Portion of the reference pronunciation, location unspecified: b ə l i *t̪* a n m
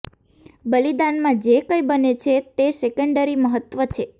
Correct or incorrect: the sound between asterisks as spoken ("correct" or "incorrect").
incorrect